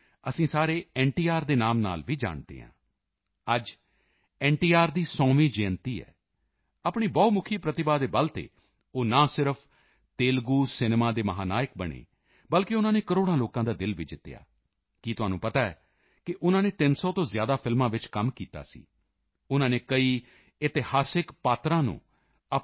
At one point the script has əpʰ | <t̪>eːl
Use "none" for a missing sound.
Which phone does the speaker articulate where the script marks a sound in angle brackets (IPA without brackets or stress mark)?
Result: t̪